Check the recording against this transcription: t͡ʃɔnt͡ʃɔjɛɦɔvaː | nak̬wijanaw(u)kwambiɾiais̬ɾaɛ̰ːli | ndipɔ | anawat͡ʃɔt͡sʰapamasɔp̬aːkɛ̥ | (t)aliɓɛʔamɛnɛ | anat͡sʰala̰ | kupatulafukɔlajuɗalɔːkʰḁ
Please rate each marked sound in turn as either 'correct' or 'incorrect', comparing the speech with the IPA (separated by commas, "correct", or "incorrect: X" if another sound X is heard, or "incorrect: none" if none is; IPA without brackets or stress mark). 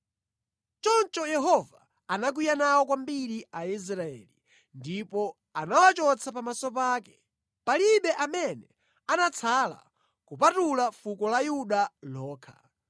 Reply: incorrect: ɔ, incorrect: p